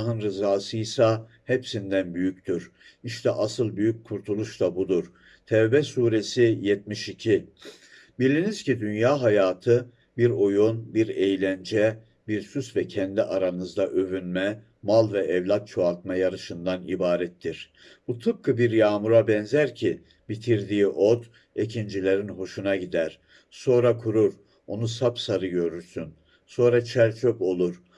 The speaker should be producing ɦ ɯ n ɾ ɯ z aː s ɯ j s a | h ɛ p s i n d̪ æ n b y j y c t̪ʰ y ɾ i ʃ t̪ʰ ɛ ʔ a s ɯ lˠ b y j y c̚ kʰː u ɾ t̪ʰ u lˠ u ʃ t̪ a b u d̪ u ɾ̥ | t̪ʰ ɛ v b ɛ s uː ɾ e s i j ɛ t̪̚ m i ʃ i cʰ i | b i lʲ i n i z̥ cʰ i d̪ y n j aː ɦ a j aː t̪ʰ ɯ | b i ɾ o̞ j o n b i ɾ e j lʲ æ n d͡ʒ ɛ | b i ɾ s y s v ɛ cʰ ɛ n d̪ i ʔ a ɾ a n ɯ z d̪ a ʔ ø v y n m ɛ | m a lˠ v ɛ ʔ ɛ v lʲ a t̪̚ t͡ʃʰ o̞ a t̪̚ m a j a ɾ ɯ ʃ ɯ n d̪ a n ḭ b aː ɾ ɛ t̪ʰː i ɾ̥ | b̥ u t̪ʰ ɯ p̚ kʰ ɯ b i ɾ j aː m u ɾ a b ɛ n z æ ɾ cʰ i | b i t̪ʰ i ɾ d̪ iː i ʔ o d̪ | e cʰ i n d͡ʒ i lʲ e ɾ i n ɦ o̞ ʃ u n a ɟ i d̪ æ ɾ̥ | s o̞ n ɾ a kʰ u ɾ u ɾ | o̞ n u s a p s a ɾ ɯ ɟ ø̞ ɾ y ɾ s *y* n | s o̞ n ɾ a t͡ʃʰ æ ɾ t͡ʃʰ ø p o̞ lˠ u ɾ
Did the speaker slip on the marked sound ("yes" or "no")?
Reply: no